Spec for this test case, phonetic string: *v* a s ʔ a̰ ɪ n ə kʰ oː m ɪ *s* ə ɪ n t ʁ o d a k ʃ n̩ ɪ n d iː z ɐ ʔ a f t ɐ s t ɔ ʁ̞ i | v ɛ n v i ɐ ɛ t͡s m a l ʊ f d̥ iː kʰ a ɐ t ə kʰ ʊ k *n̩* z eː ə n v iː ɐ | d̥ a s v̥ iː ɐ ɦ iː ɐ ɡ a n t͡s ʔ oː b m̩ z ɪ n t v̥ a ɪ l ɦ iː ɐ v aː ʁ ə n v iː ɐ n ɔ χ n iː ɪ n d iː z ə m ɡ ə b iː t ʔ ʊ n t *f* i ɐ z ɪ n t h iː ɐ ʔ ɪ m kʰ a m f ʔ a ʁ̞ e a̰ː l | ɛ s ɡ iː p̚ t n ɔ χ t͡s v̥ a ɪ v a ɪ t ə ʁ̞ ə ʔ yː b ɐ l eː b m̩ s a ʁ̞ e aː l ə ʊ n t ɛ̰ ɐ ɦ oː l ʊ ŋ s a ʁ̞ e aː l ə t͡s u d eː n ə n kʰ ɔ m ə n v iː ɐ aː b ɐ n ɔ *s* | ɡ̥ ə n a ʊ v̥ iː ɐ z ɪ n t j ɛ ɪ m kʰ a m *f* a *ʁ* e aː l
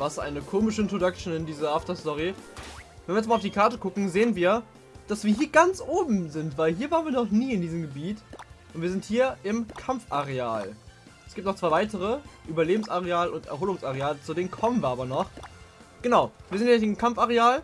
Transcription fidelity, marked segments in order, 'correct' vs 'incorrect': correct, incorrect, incorrect, incorrect, incorrect, correct, correct

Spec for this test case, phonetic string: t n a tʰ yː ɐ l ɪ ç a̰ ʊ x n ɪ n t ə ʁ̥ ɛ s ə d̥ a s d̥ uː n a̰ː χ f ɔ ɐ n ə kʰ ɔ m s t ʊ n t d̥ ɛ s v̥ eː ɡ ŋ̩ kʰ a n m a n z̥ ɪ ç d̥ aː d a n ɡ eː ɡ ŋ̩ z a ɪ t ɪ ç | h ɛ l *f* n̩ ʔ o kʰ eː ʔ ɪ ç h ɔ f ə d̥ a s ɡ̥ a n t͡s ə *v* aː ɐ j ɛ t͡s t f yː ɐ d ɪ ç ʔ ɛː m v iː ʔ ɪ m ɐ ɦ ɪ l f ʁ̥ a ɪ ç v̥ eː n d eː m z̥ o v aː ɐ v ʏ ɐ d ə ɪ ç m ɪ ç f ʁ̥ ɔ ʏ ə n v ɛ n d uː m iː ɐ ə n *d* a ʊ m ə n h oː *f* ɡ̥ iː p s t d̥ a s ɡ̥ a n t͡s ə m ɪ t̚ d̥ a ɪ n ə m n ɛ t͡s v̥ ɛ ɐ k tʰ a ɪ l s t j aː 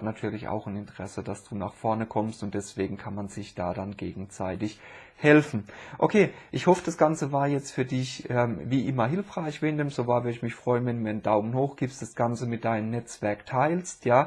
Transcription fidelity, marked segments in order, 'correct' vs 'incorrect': correct, correct, correct, incorrect

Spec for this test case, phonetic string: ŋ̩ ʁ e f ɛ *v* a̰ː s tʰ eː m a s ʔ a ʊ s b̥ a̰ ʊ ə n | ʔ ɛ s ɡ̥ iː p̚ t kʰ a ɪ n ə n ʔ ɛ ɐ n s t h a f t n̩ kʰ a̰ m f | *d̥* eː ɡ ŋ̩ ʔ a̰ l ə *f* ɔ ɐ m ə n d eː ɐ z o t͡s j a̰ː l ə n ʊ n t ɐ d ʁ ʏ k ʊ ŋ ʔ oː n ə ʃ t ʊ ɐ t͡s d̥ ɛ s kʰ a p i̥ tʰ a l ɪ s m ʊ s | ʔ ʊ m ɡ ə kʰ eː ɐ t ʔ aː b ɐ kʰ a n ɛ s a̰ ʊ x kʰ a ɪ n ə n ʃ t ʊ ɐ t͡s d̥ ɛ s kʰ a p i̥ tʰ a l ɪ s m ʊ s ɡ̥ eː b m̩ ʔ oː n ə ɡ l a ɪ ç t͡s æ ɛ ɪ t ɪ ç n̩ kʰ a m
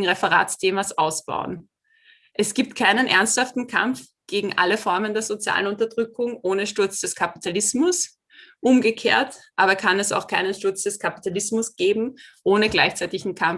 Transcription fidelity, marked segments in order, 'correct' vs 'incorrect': incorrect, incorrect, correct

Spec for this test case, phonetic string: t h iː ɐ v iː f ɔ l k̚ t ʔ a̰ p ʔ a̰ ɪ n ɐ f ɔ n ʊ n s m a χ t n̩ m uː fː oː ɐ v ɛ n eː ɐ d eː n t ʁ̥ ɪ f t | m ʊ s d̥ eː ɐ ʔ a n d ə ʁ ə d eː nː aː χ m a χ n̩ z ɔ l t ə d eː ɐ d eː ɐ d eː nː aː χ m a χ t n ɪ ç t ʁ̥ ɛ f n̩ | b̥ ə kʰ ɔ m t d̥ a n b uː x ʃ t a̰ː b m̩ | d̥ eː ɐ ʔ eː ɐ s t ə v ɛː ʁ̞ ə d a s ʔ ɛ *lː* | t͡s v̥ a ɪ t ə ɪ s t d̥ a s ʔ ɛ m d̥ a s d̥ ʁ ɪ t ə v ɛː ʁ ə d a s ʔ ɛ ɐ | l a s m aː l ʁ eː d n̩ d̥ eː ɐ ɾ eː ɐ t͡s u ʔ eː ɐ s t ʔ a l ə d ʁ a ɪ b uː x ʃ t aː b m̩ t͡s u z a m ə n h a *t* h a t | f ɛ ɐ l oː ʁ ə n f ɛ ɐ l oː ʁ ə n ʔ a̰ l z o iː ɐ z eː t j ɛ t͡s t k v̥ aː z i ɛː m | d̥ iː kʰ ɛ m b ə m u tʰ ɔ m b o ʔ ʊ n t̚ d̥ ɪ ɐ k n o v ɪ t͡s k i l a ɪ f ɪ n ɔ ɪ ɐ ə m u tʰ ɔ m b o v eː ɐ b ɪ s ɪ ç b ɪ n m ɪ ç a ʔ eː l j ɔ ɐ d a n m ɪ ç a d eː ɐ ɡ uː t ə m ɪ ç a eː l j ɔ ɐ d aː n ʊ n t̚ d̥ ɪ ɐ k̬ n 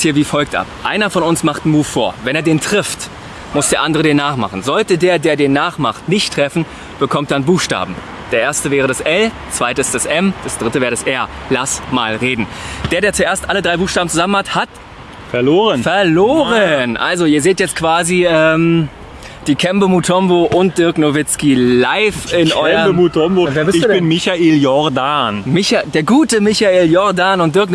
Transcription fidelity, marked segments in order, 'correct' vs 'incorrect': incorrect, correct

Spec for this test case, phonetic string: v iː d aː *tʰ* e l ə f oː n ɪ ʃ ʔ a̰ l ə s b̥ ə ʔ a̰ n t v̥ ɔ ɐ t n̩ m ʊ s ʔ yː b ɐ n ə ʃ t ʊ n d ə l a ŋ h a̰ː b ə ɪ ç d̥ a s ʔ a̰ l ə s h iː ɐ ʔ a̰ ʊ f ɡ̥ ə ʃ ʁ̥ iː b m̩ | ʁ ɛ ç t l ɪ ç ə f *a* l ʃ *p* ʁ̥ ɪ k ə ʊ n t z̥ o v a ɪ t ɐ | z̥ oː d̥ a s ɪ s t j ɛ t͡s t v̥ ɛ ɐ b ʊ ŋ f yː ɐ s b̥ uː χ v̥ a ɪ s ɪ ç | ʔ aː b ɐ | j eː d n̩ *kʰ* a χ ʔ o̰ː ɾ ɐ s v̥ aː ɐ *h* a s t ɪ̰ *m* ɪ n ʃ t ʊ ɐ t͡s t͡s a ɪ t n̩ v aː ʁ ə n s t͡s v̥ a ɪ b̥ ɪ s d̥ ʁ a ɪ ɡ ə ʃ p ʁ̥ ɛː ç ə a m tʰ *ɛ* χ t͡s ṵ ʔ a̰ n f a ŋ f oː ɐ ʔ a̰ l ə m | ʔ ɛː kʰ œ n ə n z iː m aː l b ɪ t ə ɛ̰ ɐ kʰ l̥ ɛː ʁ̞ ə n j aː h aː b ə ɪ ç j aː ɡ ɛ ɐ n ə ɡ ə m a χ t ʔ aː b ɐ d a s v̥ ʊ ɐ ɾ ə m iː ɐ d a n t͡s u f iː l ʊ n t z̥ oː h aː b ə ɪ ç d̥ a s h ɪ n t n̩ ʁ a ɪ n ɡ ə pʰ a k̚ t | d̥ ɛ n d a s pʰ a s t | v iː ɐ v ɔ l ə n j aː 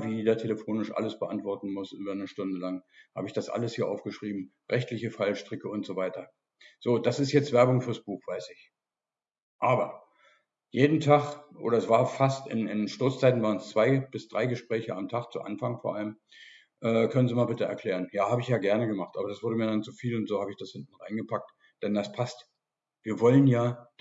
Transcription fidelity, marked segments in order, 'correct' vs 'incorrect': correct, correct, incorrect, incorrect, incorrect, incorrect, incorrect

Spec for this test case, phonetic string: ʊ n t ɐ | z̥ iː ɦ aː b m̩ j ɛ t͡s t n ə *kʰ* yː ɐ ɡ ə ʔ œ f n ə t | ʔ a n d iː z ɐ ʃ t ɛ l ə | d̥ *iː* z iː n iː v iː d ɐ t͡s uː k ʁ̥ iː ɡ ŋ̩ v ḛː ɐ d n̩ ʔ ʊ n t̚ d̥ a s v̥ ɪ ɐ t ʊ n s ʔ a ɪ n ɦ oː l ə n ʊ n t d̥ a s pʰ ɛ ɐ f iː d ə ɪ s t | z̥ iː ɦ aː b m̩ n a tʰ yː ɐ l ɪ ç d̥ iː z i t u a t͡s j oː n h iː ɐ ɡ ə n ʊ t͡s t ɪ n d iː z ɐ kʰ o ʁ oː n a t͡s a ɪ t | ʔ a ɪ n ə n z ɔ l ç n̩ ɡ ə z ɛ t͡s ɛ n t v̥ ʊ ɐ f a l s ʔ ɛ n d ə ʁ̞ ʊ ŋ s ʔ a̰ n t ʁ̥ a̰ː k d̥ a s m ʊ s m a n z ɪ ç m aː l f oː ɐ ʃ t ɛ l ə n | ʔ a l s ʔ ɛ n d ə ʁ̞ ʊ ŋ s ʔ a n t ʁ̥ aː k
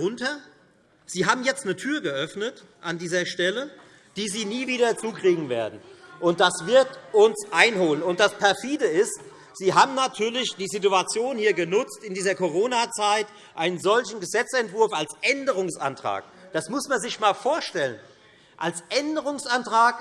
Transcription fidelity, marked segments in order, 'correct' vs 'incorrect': incorrect, correct

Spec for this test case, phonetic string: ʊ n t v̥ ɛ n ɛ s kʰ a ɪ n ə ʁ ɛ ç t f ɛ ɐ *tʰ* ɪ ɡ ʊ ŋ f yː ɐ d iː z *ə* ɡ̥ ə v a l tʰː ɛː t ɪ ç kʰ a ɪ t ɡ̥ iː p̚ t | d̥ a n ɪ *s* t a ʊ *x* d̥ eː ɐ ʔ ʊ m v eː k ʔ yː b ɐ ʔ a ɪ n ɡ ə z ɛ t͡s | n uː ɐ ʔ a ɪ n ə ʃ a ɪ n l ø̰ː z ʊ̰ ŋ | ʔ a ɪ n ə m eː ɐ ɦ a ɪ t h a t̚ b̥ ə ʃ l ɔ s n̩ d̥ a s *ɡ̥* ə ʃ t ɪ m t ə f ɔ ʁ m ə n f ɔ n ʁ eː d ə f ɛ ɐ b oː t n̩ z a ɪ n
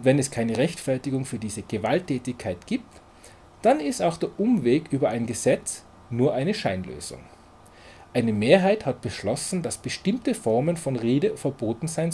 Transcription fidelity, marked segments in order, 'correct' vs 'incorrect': incorrect, correct, correct, correct, incorrect

